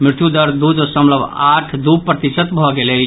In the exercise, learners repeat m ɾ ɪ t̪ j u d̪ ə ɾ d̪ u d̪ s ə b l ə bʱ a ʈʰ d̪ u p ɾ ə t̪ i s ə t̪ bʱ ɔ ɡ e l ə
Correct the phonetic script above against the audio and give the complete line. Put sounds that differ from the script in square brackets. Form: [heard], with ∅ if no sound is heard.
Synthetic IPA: m ɾ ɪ t̪ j u d̪ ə ɾ d̪ u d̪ s ə [m] l ə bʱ a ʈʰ d̪ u p ɾ ə t̪ i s ə t̪ bʱ ɔ ɡ e l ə